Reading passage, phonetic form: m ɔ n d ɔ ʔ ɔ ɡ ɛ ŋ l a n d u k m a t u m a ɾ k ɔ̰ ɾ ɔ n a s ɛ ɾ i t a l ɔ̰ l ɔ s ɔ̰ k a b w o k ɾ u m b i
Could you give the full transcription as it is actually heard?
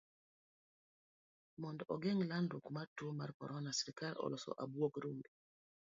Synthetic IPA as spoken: m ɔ n d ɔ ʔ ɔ ɡ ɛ ŋ l a n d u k m a t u m a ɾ k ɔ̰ ɾ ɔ n a s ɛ ɾ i k a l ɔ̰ l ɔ s ɔ̰ ʔ a b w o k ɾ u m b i